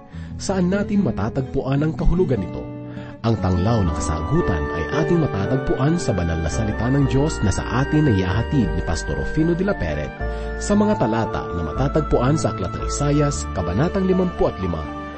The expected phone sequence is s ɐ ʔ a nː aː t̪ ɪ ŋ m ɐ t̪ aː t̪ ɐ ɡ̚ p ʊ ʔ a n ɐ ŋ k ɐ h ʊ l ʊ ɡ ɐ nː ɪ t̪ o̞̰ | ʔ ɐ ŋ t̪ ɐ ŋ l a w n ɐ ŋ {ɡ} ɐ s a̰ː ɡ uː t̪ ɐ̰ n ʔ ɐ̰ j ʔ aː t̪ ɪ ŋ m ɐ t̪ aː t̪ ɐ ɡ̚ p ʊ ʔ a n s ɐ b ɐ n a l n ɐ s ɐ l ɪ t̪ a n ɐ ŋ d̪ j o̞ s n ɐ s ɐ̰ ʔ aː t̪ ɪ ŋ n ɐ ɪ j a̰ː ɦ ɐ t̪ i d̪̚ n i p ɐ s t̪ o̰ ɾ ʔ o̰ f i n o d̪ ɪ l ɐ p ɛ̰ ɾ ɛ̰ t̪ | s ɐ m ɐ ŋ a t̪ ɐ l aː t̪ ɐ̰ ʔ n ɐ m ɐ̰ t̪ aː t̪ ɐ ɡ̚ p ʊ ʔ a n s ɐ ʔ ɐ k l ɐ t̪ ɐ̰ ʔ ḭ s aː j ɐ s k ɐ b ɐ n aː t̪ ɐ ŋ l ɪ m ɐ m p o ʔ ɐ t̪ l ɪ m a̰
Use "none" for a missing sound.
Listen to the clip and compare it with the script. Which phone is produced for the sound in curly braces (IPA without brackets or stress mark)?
k